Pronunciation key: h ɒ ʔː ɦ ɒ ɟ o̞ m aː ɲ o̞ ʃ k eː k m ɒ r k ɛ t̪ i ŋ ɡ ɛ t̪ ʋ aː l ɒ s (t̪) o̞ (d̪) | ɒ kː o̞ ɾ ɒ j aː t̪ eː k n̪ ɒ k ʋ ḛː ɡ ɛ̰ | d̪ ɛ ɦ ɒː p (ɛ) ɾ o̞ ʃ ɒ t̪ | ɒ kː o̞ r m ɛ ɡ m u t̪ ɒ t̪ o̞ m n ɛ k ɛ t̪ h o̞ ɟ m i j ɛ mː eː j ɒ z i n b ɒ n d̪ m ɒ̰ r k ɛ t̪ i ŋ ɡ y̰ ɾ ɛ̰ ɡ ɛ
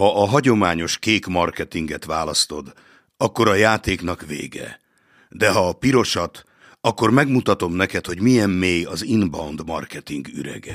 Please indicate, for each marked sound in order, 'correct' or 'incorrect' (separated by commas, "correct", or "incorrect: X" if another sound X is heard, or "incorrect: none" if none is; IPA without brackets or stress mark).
correct, correct, incorrect: i